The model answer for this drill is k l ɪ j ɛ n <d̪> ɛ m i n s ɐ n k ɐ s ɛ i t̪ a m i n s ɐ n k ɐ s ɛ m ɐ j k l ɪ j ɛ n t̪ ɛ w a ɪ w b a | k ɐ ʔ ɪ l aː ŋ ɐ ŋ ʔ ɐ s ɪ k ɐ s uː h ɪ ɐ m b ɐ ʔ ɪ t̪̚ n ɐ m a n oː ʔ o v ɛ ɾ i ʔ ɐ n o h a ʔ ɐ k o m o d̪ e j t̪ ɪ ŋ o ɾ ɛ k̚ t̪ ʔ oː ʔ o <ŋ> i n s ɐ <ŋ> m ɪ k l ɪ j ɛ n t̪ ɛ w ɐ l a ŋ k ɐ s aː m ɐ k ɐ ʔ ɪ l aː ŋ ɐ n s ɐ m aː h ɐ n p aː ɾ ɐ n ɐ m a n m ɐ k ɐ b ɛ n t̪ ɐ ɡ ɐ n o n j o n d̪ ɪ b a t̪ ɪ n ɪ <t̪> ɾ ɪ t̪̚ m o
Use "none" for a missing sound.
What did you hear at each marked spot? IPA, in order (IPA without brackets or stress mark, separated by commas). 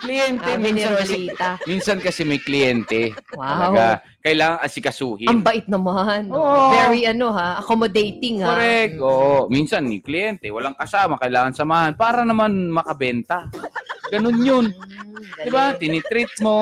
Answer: t̪, m, n, t̪